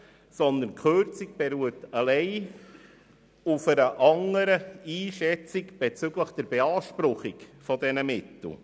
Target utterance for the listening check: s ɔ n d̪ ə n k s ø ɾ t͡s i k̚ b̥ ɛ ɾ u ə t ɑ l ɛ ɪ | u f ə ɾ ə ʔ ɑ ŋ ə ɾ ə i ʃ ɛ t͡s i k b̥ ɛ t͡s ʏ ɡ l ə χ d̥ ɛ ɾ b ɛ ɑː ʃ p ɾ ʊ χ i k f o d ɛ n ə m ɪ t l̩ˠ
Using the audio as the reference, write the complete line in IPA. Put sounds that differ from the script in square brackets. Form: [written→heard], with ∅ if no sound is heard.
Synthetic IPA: s ɔ n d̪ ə n k [s→χ] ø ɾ t͡s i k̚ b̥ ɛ ɾ u ə t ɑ l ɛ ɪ | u f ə ɾ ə ʔ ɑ ŋ ə ɾ ə [i→iː] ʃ ɛ t͡s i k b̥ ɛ t͡s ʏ ɡ l ə χ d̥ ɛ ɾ b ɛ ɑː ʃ p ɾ ʊ χ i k f [o→ɔ] d ɛ n ə m ɪ t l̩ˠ